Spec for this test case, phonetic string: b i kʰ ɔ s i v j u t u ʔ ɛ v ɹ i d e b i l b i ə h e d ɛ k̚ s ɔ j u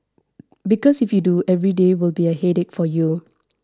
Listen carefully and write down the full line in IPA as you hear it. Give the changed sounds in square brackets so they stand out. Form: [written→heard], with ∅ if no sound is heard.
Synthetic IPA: b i [kʰ→k] ɔ s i [v→f] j u [t→d] u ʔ ɛ v ɹ i d e [b→w] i l b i ə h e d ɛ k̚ [s→f] ɔ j u